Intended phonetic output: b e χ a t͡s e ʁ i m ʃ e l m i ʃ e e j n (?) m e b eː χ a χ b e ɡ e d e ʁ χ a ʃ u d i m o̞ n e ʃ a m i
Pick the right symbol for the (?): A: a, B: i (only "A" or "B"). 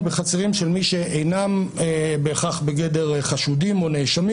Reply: A